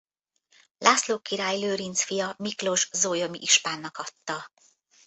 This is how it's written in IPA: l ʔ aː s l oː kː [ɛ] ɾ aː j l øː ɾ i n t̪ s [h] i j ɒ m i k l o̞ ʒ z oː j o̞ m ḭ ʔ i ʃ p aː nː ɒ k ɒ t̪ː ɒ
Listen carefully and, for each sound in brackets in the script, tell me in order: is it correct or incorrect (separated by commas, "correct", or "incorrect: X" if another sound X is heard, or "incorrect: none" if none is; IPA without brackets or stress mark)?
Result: incorrect: i, incorrect: f